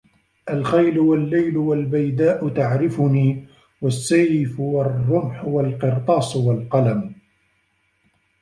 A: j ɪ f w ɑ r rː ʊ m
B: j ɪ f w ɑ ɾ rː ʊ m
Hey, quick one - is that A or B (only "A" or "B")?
A